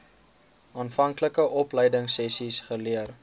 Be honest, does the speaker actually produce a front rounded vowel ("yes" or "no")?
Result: no